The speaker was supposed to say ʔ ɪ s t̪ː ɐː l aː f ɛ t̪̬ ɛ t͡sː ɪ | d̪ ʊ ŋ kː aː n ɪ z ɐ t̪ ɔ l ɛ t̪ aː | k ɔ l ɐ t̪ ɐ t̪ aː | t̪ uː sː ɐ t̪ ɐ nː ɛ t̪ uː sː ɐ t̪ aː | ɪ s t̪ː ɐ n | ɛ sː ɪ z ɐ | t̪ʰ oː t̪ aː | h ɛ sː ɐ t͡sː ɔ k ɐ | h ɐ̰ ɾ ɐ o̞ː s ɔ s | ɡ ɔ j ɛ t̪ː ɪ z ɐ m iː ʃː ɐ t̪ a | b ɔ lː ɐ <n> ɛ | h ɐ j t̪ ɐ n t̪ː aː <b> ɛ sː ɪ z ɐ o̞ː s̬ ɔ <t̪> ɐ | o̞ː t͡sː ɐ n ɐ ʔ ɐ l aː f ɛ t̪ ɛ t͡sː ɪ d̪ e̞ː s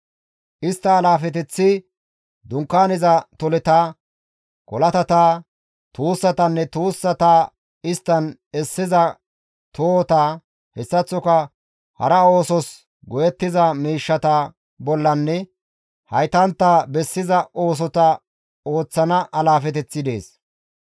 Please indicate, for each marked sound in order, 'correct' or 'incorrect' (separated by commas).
incorrect, correct, correct